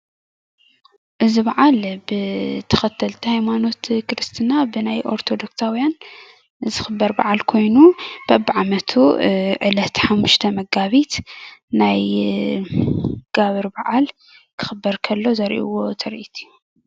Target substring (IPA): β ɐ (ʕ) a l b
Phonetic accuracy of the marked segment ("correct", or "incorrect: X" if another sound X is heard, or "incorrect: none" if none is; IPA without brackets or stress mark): correct